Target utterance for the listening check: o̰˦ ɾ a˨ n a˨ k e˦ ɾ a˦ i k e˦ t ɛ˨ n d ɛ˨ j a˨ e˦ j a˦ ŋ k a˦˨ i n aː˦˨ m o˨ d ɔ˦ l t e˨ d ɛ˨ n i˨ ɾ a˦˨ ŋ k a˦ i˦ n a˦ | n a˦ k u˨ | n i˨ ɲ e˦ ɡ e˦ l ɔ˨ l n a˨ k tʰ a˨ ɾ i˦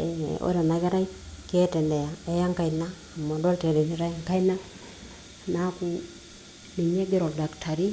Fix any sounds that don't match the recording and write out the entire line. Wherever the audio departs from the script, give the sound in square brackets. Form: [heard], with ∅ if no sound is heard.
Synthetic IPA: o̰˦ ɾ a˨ n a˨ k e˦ ɾ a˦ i k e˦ t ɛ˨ n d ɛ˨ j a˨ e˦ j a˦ ŋ k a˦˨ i n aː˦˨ m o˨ d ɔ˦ l t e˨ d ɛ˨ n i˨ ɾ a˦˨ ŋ k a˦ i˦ n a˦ | n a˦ k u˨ | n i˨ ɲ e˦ ɡ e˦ [ɾ] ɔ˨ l [d] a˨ k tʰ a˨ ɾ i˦

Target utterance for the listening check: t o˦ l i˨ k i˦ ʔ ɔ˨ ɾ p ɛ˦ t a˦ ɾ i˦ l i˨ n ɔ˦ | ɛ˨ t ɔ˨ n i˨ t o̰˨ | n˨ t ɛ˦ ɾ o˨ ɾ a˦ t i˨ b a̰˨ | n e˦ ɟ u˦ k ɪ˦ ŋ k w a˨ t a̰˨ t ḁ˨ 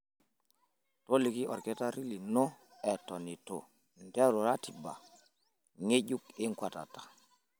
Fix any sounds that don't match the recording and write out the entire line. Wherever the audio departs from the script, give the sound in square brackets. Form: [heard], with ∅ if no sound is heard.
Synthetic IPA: t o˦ l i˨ k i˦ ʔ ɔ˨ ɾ [k] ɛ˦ t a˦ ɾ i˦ l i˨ n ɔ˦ | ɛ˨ t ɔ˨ n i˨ t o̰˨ | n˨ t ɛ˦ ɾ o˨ ɾ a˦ t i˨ b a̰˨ | [ŋ] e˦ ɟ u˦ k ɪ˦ ŋ k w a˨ t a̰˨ t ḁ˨

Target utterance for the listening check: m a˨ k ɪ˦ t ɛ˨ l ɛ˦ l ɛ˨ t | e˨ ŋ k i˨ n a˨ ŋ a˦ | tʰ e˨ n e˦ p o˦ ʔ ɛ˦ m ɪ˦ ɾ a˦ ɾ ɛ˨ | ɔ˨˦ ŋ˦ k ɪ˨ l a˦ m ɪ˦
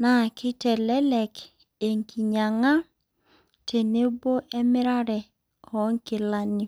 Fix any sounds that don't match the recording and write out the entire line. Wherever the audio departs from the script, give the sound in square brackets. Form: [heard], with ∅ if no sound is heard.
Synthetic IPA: [n] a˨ k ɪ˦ t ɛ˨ l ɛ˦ l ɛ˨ [k] | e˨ ŋ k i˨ [ɲ] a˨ ŋ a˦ | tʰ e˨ n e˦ [b] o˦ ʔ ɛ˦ m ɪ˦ ɾ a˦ ɾ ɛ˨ | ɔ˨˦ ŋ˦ k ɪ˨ l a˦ [n] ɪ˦

